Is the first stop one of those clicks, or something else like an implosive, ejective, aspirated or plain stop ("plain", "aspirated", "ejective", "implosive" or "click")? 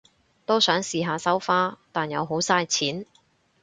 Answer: plain